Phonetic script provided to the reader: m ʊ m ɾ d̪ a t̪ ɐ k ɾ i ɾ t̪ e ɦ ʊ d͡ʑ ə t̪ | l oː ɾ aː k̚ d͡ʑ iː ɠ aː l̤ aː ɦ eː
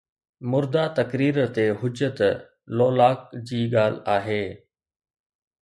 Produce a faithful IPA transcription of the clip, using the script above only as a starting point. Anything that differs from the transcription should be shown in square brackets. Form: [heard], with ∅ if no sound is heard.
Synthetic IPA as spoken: m ʊ [∅] ɾ d̪ a t̪ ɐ k ɾ [iː] ɾ t̪ e ɦ ʊ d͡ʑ ə t̪ | l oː [l] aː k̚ d͡ʑ iː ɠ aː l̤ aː ɦ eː